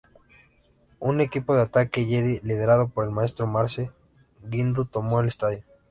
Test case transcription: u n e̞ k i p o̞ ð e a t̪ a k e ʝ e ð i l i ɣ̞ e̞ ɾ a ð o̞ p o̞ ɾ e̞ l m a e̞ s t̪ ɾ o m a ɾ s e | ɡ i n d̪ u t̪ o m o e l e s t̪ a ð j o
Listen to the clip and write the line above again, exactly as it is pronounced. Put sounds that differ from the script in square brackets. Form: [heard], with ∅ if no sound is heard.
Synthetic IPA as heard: u n e̞ k i p o̞ ð e a t̪ a k e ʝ e ð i l i [ð̞] e̞ ɾ a ð o̞ p o̞ ɾ e̞ l m a e̞ s t̪ ɾ o m a ɾ s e | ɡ i n d̪ u t̪ o m o e l e s t̪ a ð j o